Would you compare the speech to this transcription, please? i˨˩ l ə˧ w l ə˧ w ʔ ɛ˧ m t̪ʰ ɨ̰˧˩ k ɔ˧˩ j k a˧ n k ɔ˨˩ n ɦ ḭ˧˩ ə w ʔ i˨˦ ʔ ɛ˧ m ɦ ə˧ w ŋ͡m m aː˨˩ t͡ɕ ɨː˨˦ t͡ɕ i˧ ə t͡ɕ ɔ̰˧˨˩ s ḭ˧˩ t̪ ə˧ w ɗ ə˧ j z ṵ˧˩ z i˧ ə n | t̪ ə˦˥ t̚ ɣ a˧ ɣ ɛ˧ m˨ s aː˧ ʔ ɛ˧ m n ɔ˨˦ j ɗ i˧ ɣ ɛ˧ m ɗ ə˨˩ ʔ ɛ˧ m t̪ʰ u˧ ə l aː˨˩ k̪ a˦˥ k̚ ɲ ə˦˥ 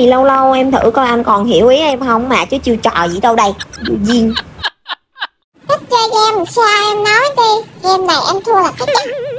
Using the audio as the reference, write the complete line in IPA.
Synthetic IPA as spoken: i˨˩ l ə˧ w l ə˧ w ʔ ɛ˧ m t̪ʰ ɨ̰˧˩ k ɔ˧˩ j ʔ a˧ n k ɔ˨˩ n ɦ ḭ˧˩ ə w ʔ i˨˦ ʔ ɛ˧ m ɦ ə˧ w ŋ͡m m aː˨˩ t͡ɕ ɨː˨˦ t͡ɕ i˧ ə t͡ɕ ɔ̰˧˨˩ z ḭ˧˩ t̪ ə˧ w ɗ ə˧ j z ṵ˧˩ z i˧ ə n | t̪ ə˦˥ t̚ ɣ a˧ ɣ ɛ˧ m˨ s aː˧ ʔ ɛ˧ m n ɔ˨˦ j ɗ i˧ ɣ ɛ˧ m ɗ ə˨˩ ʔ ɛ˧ m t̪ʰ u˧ ə l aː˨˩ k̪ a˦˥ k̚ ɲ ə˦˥